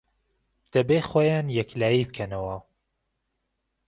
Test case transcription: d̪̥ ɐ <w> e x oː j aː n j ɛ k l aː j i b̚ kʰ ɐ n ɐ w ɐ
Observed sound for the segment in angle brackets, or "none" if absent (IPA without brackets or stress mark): b